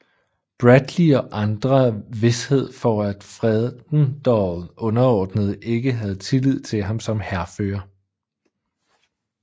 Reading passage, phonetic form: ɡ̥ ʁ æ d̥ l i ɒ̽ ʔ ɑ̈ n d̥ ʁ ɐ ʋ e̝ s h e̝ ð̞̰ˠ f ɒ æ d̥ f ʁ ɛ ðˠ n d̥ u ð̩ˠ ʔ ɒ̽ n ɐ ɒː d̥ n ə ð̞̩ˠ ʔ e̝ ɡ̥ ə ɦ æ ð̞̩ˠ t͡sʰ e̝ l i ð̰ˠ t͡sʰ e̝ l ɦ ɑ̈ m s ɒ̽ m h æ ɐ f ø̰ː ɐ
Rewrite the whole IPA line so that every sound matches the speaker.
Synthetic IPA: b̥ ʁ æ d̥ l i ɒ̽ ʔ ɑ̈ n d̥ ʁ ɐ ʋ e̝ s h e̝ ð̞̰ˠ f ɒ æ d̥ f ʁ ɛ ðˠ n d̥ ɒ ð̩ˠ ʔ ɔ̽ n ɐ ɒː d̥ n ə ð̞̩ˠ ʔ e̝ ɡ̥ ə ɦ æ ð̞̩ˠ t͡sʰ e̝ l i ð̰ˠ t͡sʰ e̝ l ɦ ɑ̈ m s ɒ̽ m h æ ɐ f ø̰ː ɐ